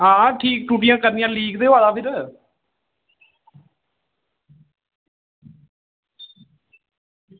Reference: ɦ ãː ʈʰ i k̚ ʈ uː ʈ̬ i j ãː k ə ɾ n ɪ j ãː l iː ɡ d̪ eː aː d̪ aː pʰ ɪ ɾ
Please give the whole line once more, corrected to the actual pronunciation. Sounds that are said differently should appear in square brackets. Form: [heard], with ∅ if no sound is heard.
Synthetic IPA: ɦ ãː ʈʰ [iː] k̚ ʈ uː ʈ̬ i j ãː k ə ɾ n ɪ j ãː l iː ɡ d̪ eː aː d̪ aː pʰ ɪ ɾ